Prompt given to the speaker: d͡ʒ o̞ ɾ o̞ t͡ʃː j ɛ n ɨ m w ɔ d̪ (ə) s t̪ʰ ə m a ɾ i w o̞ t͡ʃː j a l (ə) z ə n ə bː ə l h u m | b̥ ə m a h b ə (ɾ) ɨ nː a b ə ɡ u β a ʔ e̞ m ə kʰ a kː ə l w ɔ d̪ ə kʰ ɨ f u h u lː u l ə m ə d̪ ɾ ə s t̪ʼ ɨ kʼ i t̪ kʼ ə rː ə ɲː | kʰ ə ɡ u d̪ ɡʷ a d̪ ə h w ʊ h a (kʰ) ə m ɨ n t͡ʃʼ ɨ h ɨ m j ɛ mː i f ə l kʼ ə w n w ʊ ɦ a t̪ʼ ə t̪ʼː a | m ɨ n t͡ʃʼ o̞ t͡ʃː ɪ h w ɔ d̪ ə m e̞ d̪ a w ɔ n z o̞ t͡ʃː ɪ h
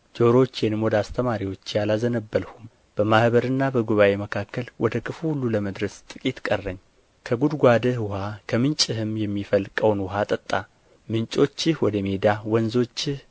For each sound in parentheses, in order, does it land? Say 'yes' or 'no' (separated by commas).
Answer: no, no, yes, yes